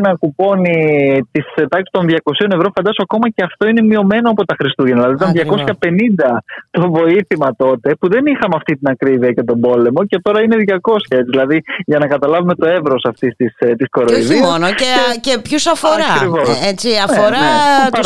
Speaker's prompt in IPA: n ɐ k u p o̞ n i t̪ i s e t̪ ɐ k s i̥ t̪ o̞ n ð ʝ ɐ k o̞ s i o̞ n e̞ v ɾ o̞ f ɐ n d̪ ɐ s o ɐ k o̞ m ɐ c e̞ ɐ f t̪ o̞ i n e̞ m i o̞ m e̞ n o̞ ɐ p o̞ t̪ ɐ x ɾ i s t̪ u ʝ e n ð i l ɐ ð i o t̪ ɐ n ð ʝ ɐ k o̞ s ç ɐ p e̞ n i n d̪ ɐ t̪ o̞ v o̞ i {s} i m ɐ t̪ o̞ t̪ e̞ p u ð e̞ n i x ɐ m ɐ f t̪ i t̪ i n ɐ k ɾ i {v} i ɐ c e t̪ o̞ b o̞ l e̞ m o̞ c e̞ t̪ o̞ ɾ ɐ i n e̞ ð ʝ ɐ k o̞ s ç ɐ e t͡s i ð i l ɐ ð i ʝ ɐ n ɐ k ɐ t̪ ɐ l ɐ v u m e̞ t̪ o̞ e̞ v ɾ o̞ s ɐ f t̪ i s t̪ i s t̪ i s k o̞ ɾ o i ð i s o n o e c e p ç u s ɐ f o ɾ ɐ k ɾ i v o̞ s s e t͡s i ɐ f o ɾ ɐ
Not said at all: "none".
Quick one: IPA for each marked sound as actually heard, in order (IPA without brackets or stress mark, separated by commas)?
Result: θ, v